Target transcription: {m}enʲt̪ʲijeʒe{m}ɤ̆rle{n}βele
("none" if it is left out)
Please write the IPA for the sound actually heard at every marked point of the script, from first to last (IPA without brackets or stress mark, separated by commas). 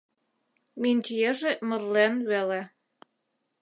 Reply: m, m, n